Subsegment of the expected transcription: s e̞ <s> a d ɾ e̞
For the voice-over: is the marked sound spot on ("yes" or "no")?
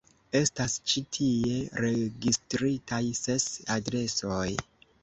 yes